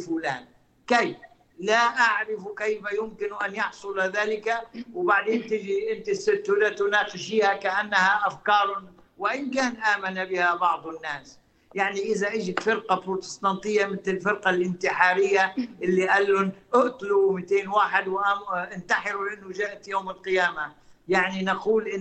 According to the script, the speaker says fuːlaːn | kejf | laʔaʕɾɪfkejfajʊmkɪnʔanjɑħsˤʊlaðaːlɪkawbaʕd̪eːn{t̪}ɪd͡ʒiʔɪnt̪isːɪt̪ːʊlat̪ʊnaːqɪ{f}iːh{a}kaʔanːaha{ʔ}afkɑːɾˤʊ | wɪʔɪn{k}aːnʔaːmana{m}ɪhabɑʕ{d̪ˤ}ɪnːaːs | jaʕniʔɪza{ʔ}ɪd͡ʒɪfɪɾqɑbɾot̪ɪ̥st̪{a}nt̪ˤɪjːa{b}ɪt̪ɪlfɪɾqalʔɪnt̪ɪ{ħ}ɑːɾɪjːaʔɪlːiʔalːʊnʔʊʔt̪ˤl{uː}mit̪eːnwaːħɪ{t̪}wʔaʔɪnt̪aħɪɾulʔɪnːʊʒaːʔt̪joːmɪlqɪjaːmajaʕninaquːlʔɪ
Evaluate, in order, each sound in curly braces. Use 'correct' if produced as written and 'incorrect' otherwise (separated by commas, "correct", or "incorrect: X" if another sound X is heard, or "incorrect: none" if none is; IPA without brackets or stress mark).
correct, incorrect: ʃ, correct, correct, correct, incorrect: b, correct, correct, incorrect: ɑ, incorrect: m, correct, incorrect: u, incorrect: d̪